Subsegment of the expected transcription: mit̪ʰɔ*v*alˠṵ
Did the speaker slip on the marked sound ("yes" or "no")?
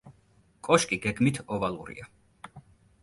no